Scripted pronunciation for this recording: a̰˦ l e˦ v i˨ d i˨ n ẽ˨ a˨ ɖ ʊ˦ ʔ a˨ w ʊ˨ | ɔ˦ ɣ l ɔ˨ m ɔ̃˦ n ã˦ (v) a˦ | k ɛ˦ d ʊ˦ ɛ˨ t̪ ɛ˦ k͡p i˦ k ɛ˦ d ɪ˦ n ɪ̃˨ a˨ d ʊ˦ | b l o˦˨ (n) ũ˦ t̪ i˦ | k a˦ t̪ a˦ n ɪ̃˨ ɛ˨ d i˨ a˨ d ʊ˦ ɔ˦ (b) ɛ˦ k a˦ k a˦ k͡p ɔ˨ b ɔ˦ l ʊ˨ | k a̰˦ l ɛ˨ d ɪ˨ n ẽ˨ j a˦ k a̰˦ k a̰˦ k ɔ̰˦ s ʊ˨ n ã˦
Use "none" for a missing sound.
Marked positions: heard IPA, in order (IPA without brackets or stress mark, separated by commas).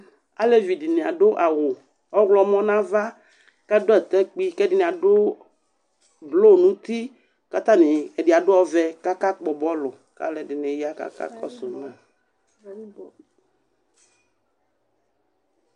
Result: v, n, v